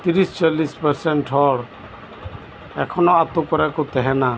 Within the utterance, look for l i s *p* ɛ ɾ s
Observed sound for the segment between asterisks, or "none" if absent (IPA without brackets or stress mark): p